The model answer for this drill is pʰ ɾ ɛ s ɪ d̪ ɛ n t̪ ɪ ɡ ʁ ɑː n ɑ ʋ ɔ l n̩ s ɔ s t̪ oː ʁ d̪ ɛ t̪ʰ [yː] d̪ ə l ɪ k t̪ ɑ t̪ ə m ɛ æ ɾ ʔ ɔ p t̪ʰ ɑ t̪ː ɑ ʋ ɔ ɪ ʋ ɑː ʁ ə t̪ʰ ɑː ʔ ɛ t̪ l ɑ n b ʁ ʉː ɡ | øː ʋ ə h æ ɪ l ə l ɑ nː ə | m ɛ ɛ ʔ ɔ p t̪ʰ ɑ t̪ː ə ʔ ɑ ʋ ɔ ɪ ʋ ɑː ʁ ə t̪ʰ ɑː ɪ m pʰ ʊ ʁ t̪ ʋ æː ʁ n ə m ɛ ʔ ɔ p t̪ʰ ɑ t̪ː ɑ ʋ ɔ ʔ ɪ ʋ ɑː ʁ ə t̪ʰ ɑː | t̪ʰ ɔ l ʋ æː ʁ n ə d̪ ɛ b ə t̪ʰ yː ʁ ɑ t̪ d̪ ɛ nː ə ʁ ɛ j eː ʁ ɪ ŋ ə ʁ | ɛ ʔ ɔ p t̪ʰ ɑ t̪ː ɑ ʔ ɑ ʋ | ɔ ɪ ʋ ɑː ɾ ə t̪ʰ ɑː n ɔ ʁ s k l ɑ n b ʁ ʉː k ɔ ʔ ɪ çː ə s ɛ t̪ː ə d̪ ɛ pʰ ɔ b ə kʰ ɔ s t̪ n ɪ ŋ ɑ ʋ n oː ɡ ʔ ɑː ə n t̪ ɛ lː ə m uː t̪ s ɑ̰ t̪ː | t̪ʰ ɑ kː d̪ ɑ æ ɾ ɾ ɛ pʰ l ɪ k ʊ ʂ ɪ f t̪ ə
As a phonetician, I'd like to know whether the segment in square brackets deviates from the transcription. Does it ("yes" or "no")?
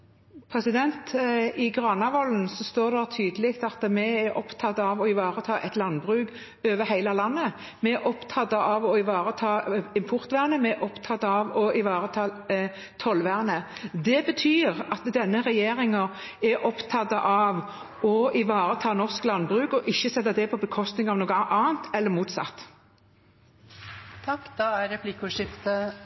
no